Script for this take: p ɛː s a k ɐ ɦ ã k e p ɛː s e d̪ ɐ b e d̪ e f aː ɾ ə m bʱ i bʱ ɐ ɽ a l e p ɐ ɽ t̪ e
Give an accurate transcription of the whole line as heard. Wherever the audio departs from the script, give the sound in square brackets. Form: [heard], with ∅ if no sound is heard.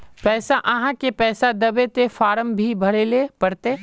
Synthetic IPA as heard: p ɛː s a [ʔ] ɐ ɦ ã k e p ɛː s [a] d̪ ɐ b e [t̪] e f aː ɾ ə m bʱ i bʱ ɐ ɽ [e] l e p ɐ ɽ t̪ e